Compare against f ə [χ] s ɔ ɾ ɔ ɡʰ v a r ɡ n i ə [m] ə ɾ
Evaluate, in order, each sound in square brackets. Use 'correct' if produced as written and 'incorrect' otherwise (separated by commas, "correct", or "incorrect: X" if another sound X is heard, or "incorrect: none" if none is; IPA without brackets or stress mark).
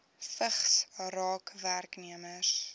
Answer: correct, correct